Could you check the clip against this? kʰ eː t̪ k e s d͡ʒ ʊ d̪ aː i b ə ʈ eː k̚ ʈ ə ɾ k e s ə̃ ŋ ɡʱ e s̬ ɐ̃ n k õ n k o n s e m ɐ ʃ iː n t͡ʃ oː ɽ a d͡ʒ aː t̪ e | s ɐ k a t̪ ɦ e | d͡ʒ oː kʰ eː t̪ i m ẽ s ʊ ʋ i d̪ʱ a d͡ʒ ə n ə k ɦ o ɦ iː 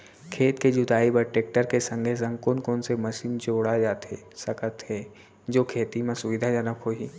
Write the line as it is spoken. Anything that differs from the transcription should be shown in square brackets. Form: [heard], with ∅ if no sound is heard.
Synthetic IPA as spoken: kʰ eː t̪ k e [∅] d͡ʒ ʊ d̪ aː i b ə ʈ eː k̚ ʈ ə ɾ k e s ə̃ ŋ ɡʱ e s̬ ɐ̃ [ŋ] k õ n k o n s e m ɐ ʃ iː n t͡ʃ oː ɽ a d͡ʒ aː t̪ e | s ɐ k [ə] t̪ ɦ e | d͡ʒ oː kʰ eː t̪ i m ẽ s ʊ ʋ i d̪ʱ a d͡ʒ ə n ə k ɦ o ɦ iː

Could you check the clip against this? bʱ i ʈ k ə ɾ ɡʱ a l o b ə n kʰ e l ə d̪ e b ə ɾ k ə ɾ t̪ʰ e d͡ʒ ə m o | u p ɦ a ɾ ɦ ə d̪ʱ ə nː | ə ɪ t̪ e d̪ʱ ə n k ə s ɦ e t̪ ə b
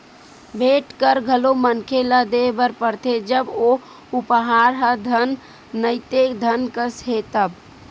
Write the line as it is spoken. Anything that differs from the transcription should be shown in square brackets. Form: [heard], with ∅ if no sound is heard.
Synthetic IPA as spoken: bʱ [e] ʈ k ə ɾ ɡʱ [ə] l o [m] ə n kʰ e l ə d̪ e b ə ɾ [p] ə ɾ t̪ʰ e d͡ʒ ə [b] o | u p ɦ a ɾ ɦ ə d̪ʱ ə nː | ə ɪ t̪ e d̪ʱ ə n k ə s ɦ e t̪ ə b

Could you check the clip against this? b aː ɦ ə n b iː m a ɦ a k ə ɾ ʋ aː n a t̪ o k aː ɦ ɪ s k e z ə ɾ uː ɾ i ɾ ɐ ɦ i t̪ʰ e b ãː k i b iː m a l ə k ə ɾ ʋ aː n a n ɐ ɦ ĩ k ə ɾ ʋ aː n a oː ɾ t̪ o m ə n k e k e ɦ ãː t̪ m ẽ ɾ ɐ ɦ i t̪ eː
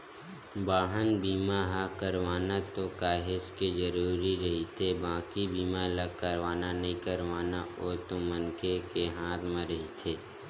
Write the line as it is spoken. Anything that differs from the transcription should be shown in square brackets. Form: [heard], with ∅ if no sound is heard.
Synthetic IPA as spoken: b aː ɦ ə n b iː m a ɦ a k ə ɾ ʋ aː n a t̪ o k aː ɦ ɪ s k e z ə ɾ uː ɾ i ɾ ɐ ɦ i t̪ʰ e b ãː k i b iː m a l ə k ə ɾ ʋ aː n a n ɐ ɦ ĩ k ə ɾ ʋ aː n a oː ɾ t̪ o m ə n k e k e ɦ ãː t̪ m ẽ ɾ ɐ ɦ i [t̪ʰ] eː

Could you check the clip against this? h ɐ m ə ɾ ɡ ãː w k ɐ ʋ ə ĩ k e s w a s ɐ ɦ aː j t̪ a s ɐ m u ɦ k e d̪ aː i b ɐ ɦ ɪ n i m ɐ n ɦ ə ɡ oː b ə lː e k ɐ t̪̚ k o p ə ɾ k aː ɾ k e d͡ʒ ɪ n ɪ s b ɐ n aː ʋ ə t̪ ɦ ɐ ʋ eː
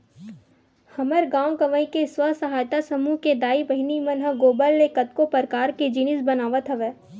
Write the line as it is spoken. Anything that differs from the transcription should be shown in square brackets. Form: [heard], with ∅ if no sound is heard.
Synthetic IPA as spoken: h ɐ m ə ɾ ɡ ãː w k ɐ ʋ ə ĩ k e s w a s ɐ ɦ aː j t̪ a s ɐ m u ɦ k e d̪ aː i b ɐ ɦ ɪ n i m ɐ n ɦ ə ɡ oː b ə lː e k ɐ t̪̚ k o p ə ɾ k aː ɾ k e d͡ʒ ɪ n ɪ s b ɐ n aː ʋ ə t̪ ɦ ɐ ʋ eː

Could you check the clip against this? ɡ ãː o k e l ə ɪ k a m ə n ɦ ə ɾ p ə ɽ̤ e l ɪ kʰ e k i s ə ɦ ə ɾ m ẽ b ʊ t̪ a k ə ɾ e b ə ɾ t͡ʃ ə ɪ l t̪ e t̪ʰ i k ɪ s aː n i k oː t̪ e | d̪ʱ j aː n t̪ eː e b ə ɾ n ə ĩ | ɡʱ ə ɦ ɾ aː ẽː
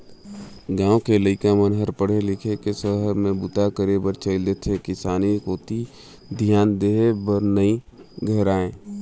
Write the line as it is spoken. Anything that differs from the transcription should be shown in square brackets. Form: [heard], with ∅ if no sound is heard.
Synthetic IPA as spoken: ɡ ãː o k e l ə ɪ k a m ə n ɦ ə ɾ p ə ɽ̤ e l ɪ kʰ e k [e] s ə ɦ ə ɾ m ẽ b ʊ t̪ a k ə ɾ e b ə ɾ t͡ʃ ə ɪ l [d̪] e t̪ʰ [e] k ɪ s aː n i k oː t̪ [i] | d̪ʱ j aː n [d̪] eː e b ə ɾ n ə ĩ | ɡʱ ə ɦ ɾ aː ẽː

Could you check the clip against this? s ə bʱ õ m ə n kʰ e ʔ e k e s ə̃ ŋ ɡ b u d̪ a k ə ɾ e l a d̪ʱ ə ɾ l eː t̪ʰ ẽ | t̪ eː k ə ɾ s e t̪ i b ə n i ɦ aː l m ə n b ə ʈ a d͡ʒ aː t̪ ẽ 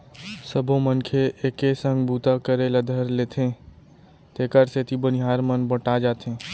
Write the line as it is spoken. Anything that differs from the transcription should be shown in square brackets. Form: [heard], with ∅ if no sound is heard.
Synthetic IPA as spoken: s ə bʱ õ m ə n kʰ e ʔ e k e s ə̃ ŋ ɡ b u [t̪] a k ə ɾ e l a d̪ʱ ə ɾ l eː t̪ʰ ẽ | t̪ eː k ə ɾ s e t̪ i b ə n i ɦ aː [ɾ] m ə n b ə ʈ a d͡ʒ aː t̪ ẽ

